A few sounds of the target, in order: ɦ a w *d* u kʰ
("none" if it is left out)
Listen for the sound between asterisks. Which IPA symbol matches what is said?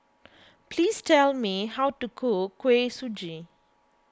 t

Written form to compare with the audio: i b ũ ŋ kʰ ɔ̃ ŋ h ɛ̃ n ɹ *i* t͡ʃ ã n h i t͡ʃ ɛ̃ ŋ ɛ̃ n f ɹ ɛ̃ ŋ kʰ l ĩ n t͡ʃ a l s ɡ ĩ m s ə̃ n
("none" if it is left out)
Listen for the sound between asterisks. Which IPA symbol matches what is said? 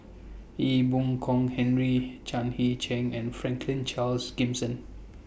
i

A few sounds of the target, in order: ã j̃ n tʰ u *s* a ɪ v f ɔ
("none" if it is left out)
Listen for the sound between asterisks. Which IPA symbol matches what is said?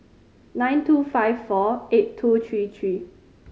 f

